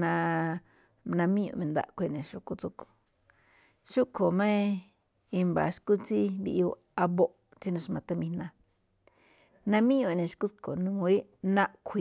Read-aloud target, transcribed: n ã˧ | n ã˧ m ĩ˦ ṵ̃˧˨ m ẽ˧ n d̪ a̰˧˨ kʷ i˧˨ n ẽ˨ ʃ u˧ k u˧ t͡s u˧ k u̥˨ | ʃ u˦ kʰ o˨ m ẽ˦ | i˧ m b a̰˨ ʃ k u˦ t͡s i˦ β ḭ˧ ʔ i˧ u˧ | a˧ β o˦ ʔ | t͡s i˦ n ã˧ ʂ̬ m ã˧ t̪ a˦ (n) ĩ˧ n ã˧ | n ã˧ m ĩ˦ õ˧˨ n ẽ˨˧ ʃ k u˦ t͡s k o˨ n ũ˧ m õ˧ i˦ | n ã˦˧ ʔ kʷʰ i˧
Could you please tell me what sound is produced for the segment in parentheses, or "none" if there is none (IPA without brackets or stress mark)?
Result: m